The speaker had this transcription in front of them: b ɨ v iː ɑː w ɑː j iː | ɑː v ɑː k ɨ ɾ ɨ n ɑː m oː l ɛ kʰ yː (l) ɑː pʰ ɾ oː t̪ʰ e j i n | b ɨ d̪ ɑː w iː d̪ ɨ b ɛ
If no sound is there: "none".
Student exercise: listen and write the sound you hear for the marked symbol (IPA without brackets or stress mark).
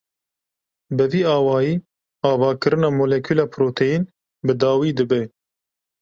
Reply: l